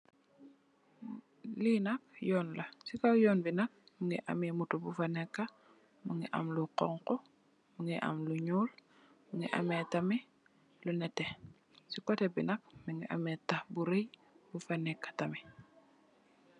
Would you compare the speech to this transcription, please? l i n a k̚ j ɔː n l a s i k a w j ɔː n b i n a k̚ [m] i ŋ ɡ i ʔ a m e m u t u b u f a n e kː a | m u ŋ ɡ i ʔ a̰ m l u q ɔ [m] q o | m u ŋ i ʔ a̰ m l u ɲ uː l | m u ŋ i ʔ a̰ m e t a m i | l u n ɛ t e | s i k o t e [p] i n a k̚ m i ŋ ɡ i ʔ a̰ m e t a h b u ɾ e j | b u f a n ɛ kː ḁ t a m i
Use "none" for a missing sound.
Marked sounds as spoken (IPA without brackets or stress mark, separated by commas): m, ŋ, b